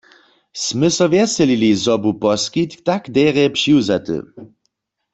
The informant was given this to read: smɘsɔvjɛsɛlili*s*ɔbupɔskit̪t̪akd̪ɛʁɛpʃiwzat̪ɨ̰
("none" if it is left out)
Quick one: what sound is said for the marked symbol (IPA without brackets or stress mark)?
z